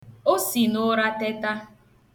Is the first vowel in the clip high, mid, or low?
mid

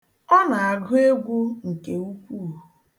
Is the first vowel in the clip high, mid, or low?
mid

